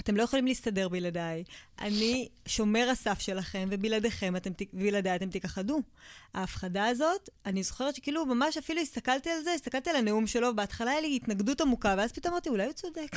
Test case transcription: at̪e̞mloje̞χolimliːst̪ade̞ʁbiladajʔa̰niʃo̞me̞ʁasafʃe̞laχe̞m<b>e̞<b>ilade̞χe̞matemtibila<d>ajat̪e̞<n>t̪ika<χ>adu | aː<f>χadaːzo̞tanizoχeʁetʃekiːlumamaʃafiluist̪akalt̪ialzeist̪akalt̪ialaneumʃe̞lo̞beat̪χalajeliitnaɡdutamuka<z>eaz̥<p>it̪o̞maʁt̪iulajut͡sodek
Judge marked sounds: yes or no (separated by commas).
no, yes, yes, no, yes, yes, no, yes